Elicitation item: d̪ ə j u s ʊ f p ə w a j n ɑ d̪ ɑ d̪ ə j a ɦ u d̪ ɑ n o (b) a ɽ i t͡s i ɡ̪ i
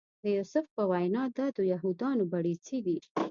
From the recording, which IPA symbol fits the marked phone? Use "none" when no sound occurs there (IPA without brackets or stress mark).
b